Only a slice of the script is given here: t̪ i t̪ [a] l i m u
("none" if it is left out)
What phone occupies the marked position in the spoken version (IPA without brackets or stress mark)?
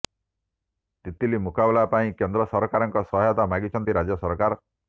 i